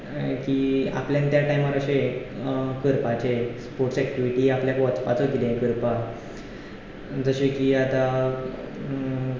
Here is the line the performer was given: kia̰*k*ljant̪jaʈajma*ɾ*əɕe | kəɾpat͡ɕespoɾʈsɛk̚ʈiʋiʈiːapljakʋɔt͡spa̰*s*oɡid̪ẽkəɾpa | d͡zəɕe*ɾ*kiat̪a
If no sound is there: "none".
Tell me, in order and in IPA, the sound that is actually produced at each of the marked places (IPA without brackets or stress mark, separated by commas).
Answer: p, ɾ, t͡s, none